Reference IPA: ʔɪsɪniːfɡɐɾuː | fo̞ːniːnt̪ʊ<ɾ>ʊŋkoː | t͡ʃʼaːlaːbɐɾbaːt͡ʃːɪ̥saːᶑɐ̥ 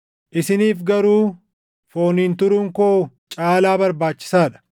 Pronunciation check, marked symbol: correct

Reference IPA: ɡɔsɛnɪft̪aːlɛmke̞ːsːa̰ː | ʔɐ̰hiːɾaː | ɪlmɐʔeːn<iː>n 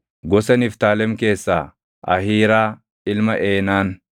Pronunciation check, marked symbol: incorrect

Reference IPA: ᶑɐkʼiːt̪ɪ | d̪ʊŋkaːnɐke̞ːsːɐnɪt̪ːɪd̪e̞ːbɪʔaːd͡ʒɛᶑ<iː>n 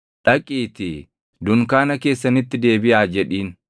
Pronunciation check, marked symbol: correct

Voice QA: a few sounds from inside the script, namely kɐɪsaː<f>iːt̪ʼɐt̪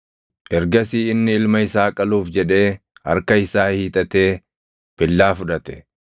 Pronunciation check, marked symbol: incorrect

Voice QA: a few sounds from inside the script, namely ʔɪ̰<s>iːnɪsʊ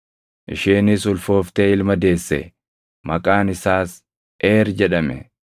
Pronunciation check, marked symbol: incorrect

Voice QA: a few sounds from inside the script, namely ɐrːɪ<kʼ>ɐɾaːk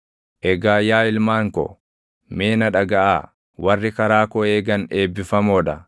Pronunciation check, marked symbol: incorrect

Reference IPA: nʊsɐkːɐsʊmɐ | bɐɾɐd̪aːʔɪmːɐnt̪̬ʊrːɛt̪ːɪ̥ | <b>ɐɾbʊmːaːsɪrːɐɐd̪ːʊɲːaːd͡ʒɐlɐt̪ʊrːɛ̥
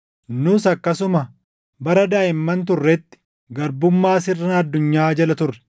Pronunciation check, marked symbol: incorrect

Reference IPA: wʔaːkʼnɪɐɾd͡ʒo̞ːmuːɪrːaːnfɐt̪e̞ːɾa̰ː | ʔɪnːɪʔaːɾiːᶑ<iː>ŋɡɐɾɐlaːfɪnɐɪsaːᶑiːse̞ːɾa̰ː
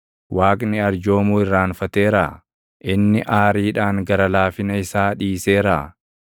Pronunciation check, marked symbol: incorrect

